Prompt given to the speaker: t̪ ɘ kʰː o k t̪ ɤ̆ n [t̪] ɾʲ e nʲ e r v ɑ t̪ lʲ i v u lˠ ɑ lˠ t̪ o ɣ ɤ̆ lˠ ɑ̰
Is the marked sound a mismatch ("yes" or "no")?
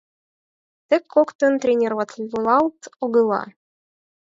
no